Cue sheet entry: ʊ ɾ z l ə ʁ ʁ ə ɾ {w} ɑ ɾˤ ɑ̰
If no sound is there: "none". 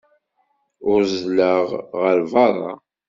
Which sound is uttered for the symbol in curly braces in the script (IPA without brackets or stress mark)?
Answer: v